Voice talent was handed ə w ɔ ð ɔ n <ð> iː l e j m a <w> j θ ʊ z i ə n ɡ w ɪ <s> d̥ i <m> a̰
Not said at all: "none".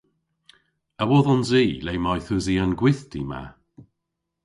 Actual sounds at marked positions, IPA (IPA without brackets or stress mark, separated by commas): z, none, θ, m